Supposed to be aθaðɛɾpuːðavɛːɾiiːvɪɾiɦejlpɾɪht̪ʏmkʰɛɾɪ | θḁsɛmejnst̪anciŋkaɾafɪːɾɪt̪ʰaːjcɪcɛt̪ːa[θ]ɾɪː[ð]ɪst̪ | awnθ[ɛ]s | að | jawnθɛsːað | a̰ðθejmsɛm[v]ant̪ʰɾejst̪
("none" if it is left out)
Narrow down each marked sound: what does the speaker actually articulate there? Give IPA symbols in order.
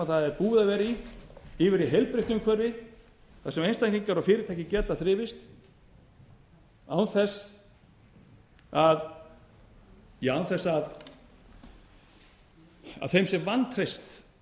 θ, v, ɛ, v

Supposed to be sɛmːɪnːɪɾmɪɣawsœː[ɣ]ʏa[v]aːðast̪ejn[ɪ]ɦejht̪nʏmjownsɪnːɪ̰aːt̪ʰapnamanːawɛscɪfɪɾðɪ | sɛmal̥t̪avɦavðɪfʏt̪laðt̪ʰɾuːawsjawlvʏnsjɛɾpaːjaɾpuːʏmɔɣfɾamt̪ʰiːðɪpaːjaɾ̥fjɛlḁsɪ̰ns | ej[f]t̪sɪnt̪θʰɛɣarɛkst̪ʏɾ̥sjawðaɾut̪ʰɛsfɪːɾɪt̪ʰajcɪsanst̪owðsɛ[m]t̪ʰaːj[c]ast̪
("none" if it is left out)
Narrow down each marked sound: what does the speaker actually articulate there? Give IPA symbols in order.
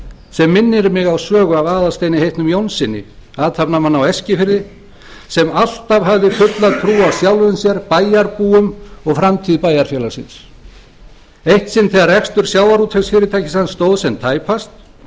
ɣ, v, ɪ, h, n, p

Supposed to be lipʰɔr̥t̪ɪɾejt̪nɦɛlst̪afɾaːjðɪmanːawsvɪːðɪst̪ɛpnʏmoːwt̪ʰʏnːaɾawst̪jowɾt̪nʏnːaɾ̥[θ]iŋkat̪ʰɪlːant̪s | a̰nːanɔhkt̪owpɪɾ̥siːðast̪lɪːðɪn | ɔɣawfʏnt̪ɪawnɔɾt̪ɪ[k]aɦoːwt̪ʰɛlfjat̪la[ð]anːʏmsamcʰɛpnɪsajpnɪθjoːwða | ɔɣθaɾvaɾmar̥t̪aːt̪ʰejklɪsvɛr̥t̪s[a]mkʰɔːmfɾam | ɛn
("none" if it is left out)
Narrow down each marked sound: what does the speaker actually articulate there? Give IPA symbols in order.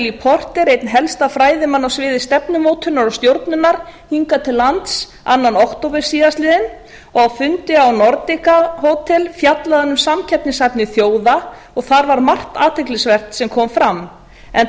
h, k, ð, ɛ

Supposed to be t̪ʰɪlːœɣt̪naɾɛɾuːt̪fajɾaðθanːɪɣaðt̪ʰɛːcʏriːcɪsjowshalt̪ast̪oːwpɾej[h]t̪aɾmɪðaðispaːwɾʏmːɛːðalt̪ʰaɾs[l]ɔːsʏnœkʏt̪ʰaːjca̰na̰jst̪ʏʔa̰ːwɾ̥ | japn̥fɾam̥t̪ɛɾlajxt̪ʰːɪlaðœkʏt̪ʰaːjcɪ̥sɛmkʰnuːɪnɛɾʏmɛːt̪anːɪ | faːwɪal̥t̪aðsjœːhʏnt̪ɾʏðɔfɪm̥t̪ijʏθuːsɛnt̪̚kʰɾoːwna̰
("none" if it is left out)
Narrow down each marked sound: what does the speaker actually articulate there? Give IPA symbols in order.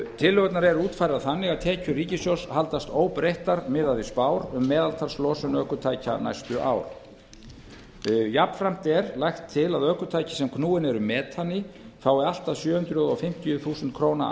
h, l

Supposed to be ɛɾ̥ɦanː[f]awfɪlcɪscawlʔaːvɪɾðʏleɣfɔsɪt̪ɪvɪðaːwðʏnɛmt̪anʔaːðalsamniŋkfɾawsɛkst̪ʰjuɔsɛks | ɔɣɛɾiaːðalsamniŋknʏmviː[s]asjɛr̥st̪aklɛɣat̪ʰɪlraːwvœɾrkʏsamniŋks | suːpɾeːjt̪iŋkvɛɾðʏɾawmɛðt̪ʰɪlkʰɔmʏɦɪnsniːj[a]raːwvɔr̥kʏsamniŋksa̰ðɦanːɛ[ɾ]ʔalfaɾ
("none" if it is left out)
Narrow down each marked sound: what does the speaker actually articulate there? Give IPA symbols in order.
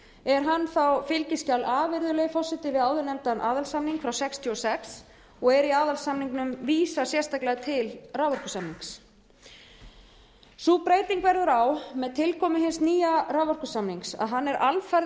θ, s, a, ɾ

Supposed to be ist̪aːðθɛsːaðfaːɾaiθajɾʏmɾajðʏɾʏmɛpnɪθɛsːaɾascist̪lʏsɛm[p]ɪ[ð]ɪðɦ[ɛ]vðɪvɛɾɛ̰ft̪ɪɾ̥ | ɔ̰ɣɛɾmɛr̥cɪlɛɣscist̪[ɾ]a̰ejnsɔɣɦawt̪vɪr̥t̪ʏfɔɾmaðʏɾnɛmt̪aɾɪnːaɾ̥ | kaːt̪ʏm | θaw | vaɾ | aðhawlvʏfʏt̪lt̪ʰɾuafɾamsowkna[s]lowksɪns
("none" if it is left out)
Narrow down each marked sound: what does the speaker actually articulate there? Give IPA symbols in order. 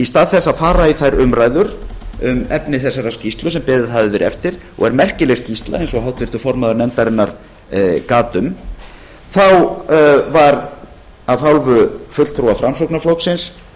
p, ð, a, l, f

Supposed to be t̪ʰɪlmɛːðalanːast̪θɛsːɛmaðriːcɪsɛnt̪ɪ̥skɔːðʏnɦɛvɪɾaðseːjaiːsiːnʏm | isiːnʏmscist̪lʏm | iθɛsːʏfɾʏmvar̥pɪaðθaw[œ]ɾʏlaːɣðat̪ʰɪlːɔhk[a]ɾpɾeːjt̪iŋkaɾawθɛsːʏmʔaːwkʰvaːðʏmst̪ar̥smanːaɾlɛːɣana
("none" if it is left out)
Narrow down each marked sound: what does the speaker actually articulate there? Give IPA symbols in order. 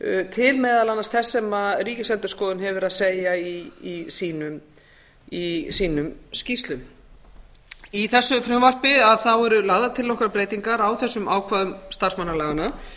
ɛ, a

